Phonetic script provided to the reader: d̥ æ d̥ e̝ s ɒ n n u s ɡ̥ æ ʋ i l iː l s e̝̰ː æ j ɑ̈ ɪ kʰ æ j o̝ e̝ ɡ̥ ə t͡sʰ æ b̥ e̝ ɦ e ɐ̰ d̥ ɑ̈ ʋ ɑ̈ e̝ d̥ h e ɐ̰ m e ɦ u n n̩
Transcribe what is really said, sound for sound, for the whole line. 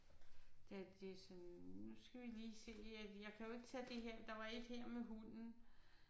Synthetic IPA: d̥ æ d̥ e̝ s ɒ n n u s ɡ̥ æ ʋ i l iː s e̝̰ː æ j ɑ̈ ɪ kʰ æ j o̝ e̝ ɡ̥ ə t͡sʰ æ d̥ e̝ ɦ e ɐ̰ d̥ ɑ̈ ʋ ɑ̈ e̝ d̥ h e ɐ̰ m e ɦ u n n̩